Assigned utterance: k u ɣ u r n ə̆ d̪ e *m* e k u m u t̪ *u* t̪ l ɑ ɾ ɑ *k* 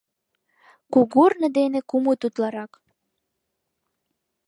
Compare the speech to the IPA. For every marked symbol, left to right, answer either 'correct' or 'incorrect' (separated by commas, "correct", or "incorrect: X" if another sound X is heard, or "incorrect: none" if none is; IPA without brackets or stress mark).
incorrect: n, correct, correct